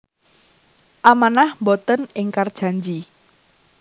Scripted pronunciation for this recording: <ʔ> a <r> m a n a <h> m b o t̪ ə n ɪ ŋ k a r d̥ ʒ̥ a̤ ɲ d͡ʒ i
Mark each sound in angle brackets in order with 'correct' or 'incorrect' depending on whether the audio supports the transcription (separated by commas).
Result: correct, incorrect, correct